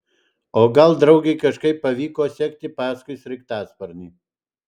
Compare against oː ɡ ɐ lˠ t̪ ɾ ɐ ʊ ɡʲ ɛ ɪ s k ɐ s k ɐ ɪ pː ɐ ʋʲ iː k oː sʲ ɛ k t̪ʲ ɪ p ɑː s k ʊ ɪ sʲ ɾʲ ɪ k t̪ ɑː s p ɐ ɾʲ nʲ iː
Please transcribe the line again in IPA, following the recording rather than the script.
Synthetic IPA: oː ɡ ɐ lˠ d̪ ɾ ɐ ʊ ɡʲ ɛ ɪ k ɐ ʃ k ɐ ɪ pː ɐ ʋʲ iː k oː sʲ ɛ k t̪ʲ ɪ p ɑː s k ʊ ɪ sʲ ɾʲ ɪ k t̪ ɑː s p ɐ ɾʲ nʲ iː